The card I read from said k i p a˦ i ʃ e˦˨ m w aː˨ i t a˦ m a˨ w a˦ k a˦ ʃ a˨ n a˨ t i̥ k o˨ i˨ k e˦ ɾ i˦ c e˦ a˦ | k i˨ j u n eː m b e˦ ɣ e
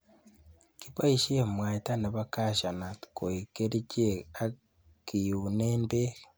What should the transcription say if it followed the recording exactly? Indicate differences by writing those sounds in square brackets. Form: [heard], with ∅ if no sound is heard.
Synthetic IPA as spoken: k i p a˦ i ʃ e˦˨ m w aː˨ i t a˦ [n] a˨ [β] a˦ k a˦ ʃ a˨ n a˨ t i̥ k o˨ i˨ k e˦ ɾ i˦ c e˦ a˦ | k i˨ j u n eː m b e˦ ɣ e